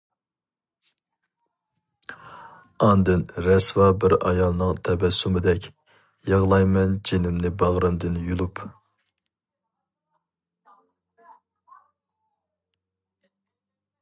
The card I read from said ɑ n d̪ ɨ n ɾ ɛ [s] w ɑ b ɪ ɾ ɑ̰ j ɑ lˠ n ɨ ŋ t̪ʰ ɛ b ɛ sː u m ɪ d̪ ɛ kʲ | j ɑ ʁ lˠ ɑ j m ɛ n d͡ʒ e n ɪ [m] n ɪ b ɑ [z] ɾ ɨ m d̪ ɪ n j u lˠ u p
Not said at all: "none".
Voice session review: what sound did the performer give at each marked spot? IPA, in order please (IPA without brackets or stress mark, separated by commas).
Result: s, m, ʁ